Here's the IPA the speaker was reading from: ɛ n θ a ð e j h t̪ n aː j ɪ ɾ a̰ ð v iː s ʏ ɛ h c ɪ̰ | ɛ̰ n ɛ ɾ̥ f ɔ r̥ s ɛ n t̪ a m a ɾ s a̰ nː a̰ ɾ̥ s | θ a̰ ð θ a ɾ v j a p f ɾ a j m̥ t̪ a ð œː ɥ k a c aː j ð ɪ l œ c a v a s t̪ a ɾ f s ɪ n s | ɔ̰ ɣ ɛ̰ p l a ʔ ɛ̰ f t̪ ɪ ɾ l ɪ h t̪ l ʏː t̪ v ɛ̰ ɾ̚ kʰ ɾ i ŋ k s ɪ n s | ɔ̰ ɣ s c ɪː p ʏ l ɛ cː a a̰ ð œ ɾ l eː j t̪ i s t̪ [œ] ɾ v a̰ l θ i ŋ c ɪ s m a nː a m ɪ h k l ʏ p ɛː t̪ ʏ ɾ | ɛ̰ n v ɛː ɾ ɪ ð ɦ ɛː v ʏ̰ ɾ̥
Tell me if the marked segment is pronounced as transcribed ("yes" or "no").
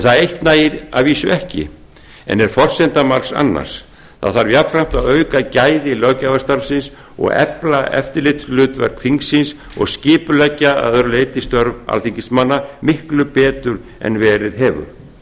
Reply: yes